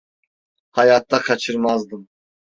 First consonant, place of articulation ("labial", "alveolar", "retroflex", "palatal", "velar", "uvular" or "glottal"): glottal